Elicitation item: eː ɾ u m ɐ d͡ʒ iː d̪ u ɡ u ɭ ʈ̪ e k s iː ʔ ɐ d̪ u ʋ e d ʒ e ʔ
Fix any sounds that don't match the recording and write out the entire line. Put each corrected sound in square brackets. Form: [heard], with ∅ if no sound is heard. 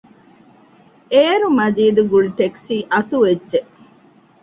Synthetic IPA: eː ɾ u m ɐ d͡ʒ iː d̪ u ɡ u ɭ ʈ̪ e k s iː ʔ ɐ [t̪] u ʋ e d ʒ e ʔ